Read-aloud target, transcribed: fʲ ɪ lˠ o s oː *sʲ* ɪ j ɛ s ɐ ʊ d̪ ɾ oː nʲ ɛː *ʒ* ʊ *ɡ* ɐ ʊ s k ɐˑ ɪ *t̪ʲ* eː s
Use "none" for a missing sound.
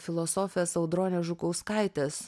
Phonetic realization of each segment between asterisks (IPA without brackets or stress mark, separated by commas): fʲ, ʒ, k, t̪ʲ